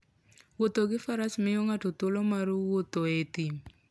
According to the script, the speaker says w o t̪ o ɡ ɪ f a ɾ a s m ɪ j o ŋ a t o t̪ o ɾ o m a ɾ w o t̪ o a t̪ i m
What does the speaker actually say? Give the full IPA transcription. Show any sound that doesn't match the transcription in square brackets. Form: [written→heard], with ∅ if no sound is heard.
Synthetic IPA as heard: w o t̪ o ɡ ɪ f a ɾ a s m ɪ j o ŋ a t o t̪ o [ɾ→l] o m a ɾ w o t̪ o [a→e] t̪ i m